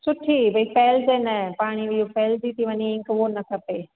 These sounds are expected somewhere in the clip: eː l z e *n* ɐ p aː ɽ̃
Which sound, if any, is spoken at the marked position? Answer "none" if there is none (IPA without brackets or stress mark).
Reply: n